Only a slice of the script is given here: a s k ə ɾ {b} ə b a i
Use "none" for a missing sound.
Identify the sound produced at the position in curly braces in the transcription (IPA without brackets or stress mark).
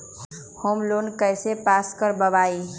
b